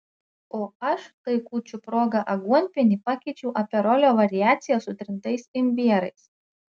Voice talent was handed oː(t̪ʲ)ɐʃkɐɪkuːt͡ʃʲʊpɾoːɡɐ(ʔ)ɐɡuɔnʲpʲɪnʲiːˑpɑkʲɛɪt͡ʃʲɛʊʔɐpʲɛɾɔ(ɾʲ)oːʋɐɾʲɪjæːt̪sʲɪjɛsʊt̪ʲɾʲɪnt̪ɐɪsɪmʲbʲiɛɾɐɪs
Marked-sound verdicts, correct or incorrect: incorrect, correct, incorrect

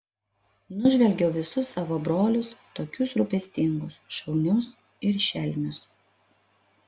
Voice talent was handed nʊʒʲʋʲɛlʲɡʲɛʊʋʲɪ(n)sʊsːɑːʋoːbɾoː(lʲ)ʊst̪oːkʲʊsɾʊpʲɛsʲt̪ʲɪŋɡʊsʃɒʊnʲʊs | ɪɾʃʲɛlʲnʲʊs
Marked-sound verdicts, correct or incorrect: incorrect, correct

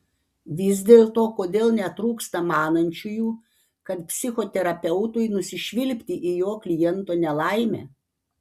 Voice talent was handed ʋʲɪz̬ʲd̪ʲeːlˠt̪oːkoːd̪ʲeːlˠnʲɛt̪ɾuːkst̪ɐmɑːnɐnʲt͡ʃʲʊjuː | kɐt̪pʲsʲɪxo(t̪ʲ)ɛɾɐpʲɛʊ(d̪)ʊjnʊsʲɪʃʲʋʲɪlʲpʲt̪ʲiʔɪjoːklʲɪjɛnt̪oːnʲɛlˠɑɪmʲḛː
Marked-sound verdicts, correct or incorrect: correct, incorrect

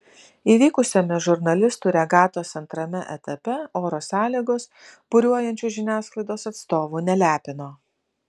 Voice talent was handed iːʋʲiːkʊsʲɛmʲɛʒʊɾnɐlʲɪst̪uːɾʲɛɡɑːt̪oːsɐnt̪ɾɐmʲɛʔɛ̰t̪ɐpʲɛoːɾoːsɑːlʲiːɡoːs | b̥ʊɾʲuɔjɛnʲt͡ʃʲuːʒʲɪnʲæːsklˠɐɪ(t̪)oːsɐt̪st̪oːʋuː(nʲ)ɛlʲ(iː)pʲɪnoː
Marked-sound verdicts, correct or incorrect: incorrect, correct, incorrect

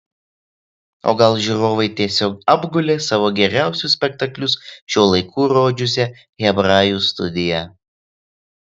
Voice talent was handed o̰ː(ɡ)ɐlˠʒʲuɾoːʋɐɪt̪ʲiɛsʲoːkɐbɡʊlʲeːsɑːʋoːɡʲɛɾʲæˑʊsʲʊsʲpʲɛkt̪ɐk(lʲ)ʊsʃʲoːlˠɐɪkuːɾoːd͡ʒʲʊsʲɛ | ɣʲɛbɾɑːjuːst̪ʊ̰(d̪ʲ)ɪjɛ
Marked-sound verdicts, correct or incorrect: correct, correct, correct

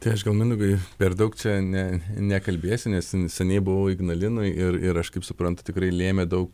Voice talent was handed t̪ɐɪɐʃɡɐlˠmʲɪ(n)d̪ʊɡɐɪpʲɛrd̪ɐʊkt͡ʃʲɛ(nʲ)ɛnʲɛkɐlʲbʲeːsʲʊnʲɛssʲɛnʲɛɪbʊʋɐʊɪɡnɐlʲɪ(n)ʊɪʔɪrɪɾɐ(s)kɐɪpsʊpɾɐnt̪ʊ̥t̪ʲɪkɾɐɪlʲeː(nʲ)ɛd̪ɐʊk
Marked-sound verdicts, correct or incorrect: correct, correct, correct, incorrect, incorrect

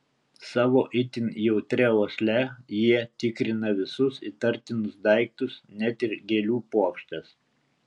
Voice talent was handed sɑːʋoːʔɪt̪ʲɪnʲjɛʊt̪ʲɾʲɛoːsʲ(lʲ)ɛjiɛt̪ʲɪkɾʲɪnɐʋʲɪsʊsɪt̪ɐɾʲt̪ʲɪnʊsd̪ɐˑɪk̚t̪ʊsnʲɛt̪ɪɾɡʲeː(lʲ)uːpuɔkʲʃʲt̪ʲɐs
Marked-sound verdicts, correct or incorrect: correct, correct

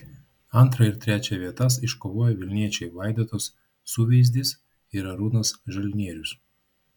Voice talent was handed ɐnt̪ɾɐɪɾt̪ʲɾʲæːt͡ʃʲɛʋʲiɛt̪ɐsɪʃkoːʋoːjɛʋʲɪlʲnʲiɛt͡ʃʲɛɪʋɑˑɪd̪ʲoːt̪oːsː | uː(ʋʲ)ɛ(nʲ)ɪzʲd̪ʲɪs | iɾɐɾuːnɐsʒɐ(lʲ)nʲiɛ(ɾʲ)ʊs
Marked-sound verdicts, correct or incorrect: correct, incorrect, correct, correct

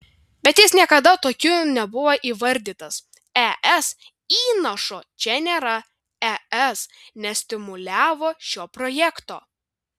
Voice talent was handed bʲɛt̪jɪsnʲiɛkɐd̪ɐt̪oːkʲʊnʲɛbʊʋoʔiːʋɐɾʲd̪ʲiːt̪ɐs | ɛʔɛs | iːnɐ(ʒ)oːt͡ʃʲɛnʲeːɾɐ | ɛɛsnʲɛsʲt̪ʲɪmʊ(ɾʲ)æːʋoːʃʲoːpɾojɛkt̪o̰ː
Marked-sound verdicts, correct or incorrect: incorrect, incorrect

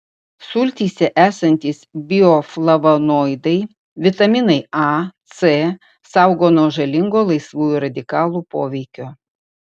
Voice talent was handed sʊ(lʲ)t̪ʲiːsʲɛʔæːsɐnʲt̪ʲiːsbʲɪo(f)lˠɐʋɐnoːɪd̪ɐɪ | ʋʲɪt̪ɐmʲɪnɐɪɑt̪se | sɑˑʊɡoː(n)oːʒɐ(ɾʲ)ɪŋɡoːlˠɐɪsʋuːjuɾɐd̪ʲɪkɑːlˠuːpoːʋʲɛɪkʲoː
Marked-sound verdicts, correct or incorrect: correct, correct, correct, incorrect

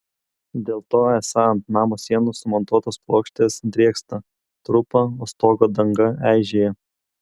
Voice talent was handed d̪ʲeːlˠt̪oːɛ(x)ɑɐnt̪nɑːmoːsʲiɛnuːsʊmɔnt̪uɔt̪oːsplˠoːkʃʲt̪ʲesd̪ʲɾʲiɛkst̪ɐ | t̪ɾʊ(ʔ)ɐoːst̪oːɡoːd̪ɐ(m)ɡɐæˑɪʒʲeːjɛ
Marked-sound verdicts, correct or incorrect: incorrect, incorrect, incorrect

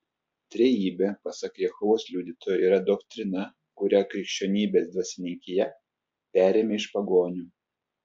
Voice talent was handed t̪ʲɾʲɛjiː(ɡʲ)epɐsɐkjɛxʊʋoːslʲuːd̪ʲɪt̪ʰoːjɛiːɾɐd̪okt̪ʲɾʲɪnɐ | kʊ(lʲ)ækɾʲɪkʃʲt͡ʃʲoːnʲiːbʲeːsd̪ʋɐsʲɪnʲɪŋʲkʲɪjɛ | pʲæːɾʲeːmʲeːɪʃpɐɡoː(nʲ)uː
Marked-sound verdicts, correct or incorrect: incorrect, incorrect, correct

